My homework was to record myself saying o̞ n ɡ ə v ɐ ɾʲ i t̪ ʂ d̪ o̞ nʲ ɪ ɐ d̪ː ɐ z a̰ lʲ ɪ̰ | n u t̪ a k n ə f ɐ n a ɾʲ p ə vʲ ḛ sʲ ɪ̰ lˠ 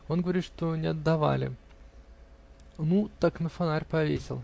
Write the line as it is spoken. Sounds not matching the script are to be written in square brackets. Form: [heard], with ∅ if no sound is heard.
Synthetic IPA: o̞ n ɡ ə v ɐ ɾʲ i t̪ ʂ [t̪] o̞ nʲ ɪ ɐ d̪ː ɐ [v] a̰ lʲ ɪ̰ | n u t̪ a k n ə f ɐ n a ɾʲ p [ɐ] vʲ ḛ sʲ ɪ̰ lˠ